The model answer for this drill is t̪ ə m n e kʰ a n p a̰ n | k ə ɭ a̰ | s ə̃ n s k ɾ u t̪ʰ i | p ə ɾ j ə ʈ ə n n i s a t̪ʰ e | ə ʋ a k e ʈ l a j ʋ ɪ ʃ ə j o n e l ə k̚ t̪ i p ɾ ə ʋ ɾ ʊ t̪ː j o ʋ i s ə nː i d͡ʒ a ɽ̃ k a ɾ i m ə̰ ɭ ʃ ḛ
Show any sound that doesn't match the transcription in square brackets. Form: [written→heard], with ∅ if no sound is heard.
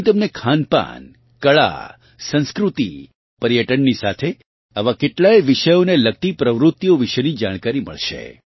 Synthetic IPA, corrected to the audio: t̪ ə m n e kʰ a n p a̰ n | k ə ɭ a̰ | s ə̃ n s k ɾ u [t̪ʰ→t̪] i | p ə ɾ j ə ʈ ə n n i s a t̪ʰ e | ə ʋ a k e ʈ l a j ʋ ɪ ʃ ə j o n e l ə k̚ t̪ i p ɾ ə ʋ ɾ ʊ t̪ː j o ʋ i [s→ʃ] ə [nː→n] i d͡ʒ a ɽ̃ k a ɾ i m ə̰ ɭ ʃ ḛ